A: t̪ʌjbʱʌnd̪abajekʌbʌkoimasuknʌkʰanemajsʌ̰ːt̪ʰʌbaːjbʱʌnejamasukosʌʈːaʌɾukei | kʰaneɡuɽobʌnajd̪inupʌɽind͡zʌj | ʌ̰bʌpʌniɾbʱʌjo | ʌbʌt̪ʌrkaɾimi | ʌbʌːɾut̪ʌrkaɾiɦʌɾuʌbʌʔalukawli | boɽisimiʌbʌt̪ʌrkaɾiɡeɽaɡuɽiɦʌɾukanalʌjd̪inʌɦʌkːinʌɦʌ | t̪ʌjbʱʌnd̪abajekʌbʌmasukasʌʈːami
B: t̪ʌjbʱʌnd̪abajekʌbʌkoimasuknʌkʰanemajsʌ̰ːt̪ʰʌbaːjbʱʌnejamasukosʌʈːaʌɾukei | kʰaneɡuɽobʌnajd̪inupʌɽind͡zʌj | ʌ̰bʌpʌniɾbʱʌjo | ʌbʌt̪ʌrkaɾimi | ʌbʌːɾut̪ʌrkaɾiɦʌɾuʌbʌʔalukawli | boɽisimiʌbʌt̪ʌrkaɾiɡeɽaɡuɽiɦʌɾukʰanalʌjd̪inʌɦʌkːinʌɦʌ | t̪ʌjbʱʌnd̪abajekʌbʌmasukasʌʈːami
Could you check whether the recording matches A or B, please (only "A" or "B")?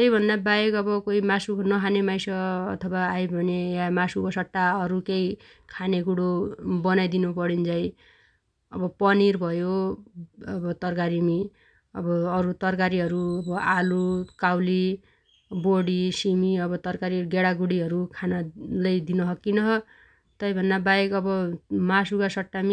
B